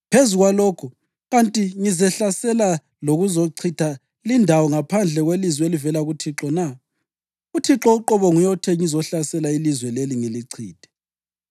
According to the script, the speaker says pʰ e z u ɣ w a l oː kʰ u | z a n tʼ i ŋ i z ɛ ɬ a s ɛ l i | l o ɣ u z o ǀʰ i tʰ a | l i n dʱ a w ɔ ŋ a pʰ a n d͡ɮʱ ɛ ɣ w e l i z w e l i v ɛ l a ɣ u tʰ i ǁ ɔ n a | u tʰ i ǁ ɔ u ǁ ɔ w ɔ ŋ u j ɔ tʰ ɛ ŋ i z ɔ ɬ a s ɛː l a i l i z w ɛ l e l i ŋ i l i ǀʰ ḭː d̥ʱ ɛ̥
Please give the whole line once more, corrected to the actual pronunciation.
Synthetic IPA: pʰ e z u ɣ w a l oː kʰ u | ɣ a n tʼ i ŋ i z ɛ ɬ a s ɛ l a | l o ɣ u z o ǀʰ i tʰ a | l i n dʱ a w ɔ ŋ a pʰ a n d͡ɮʱ ɛ ɣ w e l i z w e l i v ɛ l a ɣ u tʰ i ǁ ɔ n a | u tʰ i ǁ ɔ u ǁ ɔ β ɔ ŋ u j ɔ tʰ ɛ ŋ i z ɔ ɬ a s ɛ l a i l i z w ɛ l e l i ŋ i l i ǀʰ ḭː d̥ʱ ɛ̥